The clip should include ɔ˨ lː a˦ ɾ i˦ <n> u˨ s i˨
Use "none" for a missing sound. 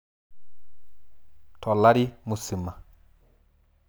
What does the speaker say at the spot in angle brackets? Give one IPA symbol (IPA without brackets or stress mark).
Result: m